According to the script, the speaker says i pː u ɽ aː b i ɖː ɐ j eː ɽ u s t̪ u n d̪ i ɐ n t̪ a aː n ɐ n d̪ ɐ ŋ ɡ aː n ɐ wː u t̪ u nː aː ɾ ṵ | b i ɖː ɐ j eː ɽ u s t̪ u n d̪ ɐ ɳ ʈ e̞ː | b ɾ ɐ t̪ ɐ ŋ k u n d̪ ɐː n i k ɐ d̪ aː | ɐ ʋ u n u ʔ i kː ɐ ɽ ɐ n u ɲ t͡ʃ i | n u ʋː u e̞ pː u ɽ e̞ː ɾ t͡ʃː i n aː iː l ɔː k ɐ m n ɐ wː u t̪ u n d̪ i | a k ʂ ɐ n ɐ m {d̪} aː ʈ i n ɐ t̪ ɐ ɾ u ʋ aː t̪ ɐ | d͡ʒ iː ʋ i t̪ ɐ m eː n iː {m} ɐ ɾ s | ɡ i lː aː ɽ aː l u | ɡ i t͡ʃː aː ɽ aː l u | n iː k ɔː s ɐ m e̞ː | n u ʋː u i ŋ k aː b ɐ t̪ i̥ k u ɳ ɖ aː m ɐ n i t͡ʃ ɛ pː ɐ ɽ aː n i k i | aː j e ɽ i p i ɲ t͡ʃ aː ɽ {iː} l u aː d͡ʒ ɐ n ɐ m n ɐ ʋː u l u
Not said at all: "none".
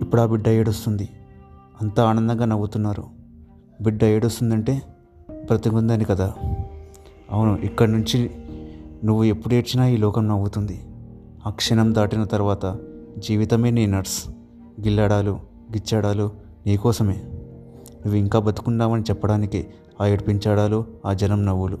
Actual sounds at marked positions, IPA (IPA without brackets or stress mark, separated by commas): d̪, n, aː